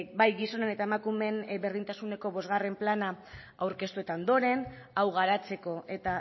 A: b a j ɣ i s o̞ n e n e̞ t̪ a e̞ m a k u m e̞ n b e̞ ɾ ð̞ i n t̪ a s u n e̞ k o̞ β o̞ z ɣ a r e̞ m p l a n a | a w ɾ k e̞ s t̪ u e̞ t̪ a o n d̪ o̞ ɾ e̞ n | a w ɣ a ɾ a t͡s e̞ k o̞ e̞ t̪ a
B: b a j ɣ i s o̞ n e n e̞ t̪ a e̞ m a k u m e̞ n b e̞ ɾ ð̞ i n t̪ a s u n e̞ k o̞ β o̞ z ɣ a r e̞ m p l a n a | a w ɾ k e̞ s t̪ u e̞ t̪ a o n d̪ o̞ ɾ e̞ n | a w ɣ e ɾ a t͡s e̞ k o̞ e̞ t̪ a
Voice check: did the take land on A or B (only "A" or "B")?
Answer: A